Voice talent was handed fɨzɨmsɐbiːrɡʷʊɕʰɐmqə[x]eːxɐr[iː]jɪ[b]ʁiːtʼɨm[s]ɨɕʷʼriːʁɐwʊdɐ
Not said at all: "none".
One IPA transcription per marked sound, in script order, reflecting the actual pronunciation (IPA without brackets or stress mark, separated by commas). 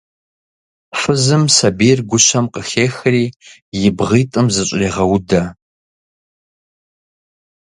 x, iː, b, z